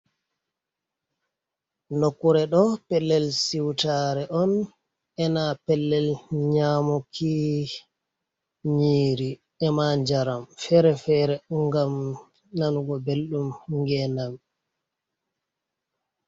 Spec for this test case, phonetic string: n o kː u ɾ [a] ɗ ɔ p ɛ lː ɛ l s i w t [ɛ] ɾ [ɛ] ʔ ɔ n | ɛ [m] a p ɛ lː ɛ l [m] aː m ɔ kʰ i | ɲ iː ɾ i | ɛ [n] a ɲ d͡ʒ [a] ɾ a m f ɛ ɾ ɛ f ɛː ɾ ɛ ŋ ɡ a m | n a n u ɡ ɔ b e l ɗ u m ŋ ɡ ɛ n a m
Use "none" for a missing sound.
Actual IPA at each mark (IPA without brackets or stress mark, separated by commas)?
ɛ, a, ɛ, n, ɲ, m, a